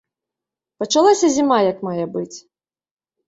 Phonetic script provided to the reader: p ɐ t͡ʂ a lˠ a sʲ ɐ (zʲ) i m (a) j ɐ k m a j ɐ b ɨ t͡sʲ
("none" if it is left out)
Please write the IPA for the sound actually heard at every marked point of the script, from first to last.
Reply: zʲ, a

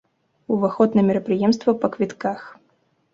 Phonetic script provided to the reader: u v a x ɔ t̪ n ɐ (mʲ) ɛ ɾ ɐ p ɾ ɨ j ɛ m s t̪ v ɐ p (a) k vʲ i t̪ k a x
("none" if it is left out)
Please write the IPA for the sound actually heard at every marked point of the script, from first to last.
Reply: mʲ, ɐ

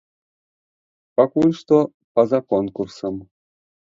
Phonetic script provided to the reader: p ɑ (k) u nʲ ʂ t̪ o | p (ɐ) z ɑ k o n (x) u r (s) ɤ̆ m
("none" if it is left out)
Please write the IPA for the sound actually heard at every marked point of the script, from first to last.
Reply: k, ɑ, k, s

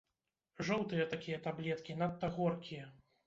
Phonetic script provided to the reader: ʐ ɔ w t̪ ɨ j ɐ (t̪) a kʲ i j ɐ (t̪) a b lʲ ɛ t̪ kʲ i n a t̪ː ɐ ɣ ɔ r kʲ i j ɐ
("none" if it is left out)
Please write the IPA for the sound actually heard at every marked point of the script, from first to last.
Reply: t̪, t̪

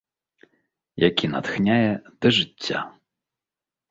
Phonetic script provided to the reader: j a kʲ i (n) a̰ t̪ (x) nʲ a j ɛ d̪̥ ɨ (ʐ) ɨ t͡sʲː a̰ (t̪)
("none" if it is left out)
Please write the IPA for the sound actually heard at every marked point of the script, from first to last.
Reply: n, x, ʐ, none

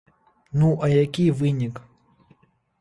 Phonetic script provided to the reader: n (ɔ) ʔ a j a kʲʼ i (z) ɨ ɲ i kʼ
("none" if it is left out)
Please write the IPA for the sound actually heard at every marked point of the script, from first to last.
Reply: u, v

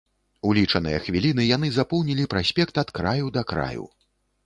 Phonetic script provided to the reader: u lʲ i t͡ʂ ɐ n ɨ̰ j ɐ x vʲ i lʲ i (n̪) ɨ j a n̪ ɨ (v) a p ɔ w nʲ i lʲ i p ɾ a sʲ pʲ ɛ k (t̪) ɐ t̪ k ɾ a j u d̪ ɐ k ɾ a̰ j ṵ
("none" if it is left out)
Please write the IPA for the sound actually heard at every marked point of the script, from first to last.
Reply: n̪, z, t̪

